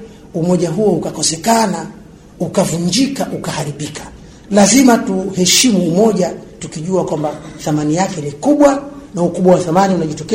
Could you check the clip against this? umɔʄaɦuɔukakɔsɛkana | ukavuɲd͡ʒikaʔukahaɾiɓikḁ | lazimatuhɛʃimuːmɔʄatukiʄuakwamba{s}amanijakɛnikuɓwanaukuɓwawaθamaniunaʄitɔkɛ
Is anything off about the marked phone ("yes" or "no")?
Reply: yes